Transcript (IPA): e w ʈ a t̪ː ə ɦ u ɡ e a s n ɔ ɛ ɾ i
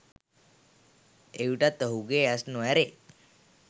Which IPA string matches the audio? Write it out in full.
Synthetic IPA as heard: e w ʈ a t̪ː ə ɦ u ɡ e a s n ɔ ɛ ɾ e